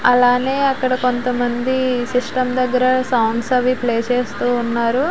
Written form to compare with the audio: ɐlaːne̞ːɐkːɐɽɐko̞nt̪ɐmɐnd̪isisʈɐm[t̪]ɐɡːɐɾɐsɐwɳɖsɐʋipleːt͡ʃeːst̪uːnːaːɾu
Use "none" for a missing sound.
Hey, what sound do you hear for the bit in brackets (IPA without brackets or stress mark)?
d̪